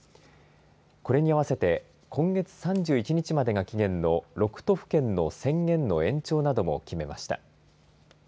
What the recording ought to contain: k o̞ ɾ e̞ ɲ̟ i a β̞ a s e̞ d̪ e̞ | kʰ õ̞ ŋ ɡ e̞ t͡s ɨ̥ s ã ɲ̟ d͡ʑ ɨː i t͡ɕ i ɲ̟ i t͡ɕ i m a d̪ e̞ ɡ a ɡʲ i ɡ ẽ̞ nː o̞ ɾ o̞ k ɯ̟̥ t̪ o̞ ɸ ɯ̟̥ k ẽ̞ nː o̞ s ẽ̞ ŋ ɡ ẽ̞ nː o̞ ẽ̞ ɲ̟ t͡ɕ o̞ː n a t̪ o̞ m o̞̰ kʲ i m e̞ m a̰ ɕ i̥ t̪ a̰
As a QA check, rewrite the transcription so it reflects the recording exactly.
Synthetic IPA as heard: k o̞ ɾ e̞ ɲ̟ i a β̞ a s e̞ t̪ e̞ | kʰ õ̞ ŋ ɡ e̞ t͡s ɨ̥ s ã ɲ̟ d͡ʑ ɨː i t͡ɕ i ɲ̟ i t͡ɕ i m a d̪ e̞ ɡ a kʲ i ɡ ẽ̞ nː o̞ ɾ o̞ k ɯ̟̥ t̪ o̞ ɸ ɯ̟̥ k ẽ̞ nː o̞ s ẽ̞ ŋ ɡ ẽ̞ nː o̞ ẽ̞ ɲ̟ t͡ɕ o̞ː n a d̪ o̞ m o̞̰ kʲ i m e̞ m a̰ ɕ i̥ t̪ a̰